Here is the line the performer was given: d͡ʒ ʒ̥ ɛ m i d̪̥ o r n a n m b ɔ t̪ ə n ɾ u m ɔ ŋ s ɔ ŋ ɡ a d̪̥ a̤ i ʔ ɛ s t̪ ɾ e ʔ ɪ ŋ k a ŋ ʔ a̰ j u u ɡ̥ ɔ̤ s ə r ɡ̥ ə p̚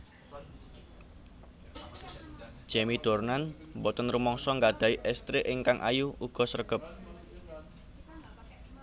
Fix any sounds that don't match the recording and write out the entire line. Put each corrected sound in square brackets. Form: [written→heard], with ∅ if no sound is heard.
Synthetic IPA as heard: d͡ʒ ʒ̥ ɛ m i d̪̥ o r n a n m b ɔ t̪ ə n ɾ u m ɔ ŋ s ɔ ŋ ɡ a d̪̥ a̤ i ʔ ɛ s t̪ ɾ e ʔ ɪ ŋ k a ŋ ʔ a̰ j u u ɡ̥ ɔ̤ s ə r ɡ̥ ə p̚